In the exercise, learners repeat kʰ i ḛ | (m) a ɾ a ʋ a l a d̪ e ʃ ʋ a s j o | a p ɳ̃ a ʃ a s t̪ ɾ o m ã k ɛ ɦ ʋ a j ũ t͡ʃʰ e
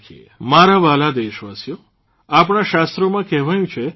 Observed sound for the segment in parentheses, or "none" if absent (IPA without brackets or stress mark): m